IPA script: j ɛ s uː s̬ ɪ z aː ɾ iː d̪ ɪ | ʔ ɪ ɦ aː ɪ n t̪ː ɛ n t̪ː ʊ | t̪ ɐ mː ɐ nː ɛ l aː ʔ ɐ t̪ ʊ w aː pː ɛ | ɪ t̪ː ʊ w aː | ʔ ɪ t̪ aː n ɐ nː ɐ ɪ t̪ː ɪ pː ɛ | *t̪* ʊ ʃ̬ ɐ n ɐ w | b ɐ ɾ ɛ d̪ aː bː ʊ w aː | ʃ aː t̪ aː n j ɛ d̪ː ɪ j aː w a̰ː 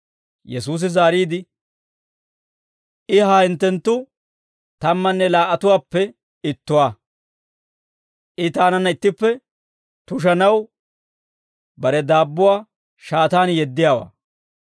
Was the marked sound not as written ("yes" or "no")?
no